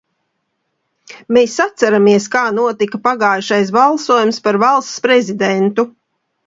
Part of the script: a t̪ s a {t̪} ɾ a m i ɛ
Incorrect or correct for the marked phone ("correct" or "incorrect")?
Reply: incorrect